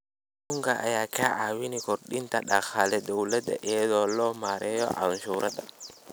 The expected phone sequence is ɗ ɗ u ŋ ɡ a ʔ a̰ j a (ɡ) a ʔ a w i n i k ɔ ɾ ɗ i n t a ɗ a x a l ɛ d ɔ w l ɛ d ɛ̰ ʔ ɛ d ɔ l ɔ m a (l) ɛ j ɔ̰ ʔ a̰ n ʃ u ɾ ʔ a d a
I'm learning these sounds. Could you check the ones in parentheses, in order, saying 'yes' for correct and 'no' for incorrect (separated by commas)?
no, no